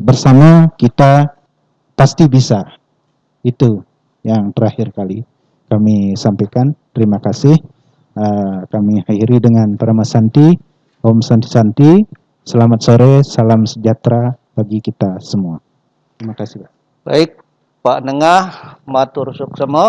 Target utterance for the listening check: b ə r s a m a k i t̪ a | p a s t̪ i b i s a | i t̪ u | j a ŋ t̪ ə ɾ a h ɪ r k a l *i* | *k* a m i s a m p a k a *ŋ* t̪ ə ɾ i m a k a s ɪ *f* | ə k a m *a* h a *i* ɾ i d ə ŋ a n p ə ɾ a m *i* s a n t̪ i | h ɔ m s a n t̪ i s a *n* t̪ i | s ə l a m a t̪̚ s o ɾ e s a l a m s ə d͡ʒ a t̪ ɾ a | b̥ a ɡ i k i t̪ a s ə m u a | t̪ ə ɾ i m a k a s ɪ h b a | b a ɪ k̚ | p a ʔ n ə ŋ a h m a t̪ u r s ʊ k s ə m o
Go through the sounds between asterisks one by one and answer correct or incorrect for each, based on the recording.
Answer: correct, correct, incorrect: n, incorrect: h, incorrect: i, correct, incorrect: a, correct

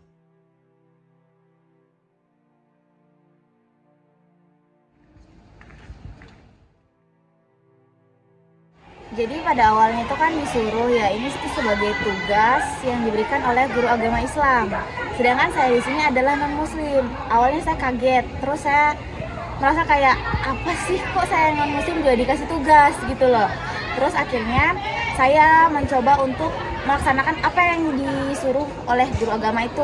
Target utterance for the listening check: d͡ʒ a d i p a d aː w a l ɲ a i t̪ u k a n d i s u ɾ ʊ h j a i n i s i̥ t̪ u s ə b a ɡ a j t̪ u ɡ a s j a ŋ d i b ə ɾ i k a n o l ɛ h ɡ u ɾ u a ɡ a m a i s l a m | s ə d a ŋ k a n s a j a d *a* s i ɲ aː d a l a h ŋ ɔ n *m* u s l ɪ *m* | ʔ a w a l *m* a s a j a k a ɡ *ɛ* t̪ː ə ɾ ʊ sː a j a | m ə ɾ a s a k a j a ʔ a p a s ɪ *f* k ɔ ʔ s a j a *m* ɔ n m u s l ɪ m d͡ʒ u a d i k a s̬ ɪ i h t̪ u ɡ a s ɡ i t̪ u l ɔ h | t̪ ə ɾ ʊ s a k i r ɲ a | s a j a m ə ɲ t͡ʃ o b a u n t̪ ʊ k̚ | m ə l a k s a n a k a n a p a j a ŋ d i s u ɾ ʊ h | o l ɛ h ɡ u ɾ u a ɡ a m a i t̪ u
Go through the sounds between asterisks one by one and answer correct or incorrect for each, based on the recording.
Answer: incorrect: i, correct, correct, incorrect: ɲ, correct, incorrect: h, incorrect: ŋ

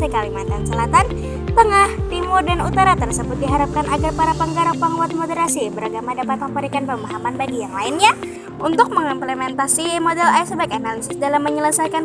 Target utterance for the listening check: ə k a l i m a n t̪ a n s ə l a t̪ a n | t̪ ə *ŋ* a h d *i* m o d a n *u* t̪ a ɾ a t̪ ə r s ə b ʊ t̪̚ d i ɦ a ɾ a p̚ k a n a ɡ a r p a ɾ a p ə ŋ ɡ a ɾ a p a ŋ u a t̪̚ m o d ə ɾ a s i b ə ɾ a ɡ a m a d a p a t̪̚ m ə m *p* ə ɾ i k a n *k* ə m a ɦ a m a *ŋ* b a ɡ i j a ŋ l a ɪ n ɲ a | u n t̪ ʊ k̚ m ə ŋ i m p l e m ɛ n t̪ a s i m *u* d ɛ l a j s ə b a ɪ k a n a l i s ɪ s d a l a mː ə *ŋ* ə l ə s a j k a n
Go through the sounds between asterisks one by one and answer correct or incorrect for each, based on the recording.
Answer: correct, correct, correct, correct, incorrect: p, incorrect: n, incorrect: o, incorrect: ɲ

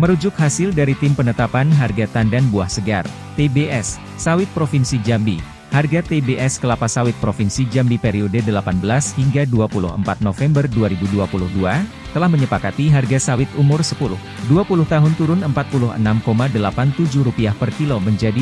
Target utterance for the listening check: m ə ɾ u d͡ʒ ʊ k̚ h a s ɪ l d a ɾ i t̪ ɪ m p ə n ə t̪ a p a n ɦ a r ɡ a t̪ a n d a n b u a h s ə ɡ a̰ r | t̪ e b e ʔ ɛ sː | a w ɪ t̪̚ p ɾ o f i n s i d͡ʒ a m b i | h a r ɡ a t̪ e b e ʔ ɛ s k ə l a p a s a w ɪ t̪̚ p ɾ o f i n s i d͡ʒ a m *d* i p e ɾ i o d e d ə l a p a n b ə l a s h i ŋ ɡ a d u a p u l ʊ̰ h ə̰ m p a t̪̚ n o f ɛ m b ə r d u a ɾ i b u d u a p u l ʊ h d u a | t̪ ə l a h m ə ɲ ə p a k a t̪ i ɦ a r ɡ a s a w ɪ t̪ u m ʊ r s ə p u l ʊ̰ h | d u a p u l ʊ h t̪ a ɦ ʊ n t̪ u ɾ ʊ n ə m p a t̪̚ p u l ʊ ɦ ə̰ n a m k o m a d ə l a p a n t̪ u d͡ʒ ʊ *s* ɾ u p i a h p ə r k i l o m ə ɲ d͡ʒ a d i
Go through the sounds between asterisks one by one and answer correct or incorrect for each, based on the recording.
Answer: incorrect: b, incorrect: h

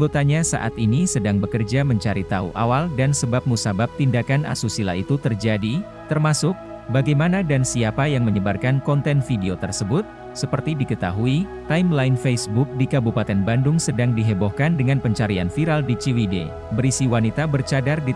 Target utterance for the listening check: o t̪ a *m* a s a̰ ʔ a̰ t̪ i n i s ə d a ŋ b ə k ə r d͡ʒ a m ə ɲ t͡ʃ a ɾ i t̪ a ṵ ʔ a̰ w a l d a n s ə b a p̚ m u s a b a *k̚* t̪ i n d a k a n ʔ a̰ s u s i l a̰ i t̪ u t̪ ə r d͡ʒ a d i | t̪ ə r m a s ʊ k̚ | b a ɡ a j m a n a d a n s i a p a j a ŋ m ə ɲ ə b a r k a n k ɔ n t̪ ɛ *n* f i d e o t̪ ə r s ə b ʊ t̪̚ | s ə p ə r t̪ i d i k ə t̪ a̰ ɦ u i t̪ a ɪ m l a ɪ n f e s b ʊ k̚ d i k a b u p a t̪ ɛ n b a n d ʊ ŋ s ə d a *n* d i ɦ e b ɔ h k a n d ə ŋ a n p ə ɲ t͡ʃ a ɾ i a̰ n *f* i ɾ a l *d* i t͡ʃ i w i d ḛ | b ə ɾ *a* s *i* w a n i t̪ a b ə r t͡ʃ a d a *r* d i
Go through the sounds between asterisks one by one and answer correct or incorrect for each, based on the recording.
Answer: incorrect: ɲ, incorrect: p̚, correct, incorrect: ŋ, correct, correct, incorrect: i, correct, correct

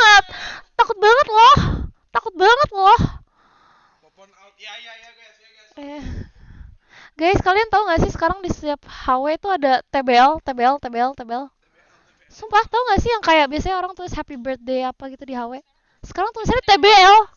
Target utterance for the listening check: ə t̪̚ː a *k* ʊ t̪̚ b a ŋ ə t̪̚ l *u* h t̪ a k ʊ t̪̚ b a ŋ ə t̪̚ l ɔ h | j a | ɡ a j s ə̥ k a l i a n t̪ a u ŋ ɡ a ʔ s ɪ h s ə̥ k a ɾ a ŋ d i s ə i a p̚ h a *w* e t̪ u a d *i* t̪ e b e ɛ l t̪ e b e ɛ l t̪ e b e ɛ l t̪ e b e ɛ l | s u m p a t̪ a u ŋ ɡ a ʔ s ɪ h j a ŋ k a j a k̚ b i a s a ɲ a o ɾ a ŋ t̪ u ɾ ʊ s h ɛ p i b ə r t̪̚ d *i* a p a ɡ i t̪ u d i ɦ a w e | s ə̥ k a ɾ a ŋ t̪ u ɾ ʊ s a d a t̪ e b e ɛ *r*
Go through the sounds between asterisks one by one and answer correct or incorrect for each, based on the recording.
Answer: correct, incorrect: ɔ, correct, incorrect: a, incorrect: e, incorrect: l

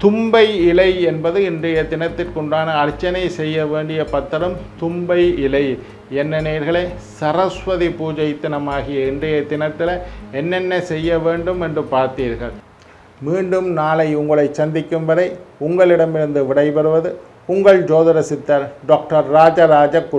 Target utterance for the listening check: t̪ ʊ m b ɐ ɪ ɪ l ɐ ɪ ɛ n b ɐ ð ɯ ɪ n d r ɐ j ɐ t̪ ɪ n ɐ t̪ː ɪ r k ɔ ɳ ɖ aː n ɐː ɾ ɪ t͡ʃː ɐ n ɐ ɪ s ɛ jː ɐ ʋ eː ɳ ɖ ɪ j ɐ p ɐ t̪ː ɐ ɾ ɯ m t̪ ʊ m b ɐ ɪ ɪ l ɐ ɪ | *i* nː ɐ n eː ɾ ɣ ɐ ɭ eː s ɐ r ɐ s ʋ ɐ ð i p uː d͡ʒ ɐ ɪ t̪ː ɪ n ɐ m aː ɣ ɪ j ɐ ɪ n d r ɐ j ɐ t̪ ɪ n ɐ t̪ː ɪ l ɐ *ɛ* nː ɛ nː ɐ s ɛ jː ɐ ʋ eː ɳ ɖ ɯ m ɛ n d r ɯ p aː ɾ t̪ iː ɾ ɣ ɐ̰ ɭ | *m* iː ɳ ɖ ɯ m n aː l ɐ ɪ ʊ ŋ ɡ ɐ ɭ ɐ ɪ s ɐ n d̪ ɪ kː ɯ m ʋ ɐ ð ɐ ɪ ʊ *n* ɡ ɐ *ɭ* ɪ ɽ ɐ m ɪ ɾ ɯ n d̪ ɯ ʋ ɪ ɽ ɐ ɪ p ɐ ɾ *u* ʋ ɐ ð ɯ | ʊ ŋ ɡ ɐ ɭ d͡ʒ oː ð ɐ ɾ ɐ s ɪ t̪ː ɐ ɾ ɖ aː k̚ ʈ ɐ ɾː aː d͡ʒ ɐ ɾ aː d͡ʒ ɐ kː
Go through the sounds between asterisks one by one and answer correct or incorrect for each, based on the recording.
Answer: incorrect: ɛ, correct, correct, incorrect: ŋ, correct, incorrect: ɯ

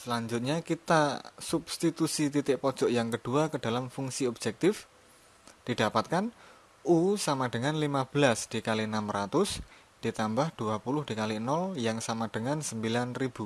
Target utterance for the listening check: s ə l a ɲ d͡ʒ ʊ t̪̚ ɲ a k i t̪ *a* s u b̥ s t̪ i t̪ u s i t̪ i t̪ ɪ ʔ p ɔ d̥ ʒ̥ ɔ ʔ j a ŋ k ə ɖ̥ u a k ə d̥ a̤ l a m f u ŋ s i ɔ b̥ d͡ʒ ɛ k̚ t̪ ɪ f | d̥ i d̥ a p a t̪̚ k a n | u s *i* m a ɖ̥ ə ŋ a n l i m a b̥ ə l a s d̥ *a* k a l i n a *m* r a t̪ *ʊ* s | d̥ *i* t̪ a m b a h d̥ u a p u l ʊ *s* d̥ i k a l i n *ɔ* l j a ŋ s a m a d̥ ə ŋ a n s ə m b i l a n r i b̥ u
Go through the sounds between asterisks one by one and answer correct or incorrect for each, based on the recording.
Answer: correct, incorrect: a, incorrect: i, correct, correct, correct, incorrect: h, correct

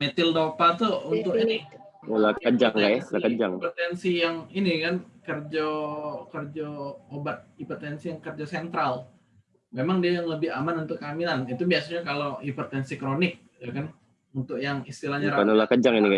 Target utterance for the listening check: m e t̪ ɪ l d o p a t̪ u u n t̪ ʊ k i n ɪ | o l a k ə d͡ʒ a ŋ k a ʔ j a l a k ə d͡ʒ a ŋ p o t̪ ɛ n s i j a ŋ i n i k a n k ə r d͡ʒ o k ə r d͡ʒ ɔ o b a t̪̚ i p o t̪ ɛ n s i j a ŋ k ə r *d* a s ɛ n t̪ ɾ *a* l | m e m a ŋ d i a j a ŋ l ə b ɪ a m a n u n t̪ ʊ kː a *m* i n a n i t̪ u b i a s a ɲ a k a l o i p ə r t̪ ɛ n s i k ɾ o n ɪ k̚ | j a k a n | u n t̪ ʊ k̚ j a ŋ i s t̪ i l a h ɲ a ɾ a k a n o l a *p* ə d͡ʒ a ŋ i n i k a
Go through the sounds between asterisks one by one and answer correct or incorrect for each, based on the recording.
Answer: incorrect: d͡ʒ, correct, correct, incorrect: k

